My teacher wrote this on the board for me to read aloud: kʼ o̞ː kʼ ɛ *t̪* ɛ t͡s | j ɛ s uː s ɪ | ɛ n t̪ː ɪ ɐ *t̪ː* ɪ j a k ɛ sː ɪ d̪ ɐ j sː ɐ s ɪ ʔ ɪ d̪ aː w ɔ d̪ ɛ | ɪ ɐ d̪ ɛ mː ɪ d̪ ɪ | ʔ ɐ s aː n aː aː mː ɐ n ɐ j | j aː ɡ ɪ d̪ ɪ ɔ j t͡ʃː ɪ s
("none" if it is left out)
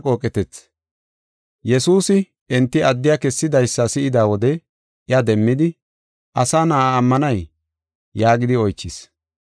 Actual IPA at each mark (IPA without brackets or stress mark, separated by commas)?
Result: t̪, d̪ː